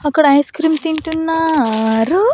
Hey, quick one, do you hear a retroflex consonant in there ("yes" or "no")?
yes